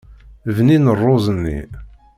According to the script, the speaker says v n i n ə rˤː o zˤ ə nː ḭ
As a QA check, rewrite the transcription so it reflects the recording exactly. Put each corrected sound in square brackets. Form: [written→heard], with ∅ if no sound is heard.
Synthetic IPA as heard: v n i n ə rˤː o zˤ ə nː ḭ